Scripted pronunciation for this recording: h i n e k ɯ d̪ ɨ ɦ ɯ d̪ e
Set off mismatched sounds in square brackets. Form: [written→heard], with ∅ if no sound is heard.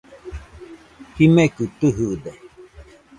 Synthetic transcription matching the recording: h i [n→m] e k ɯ [d̪→t̪] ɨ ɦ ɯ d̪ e